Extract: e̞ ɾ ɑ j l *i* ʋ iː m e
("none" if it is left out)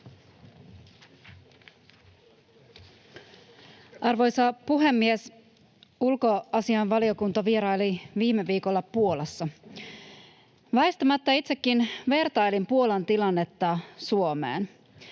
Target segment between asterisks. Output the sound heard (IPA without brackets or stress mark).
i